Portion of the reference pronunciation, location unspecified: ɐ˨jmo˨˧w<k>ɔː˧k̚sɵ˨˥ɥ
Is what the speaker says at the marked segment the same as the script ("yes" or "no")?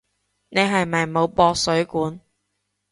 no